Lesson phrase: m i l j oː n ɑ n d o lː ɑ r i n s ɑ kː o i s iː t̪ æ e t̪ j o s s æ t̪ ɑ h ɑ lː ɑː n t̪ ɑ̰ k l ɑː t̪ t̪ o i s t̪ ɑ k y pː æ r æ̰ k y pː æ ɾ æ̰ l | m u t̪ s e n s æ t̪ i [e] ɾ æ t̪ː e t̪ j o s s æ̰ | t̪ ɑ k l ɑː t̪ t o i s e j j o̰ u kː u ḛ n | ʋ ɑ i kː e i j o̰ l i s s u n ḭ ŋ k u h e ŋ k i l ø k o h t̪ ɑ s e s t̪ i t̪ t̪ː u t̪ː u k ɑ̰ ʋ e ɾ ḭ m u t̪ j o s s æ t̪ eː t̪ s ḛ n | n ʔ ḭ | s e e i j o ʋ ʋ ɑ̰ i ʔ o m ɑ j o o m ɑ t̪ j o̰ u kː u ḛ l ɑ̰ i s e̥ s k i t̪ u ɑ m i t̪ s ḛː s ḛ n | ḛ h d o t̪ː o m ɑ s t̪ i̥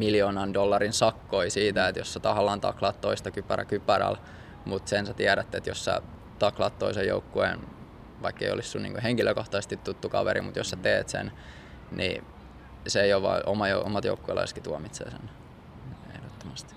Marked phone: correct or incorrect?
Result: incorrect